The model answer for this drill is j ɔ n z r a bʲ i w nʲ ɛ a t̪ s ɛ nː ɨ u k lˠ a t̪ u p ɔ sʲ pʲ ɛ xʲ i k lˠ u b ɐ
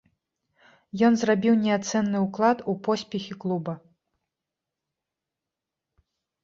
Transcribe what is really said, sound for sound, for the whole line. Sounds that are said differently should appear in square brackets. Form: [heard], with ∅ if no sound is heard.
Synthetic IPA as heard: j ɔ n z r a bʲ i w nʲ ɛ a t̪ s ɛ nː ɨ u k lˠ a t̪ u p ɔ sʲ pʲ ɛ xʲ i k lˠ u b ɐ